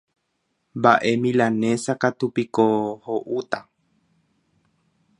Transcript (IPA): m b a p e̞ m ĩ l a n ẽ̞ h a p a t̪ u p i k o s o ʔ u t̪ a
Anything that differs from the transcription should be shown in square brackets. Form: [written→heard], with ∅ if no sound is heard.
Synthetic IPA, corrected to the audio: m b a [p→ʔ] e̞ m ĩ l a n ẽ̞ [h→s] a [p→k] a t̪ u p i k o [s→h] o ʔ u t̪ a